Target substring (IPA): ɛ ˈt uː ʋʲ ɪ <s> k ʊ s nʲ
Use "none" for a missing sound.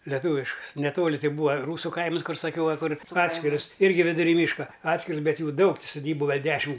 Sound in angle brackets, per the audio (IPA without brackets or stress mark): ʃ